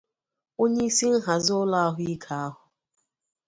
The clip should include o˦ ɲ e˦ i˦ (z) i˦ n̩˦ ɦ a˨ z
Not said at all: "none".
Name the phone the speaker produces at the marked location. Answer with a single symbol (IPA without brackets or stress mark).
s